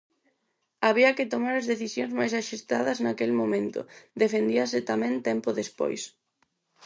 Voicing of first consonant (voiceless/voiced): voiced